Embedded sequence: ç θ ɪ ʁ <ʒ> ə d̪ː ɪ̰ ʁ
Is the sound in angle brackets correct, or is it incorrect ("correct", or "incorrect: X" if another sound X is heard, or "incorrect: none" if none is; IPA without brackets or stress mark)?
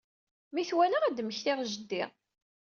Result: correct